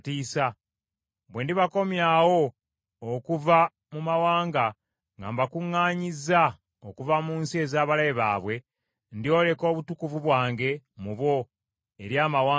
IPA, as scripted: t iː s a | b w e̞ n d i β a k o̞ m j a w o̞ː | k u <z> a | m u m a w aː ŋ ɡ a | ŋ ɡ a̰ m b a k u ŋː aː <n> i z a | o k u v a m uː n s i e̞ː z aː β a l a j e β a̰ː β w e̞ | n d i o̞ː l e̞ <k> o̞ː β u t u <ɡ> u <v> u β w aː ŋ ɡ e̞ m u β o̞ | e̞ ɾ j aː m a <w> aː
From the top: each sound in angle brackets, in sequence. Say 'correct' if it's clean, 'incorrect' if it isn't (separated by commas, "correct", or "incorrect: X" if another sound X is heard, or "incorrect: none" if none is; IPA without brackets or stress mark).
incorrect: v, incorrect: ɲ, correct, incorrect: k, correct, correct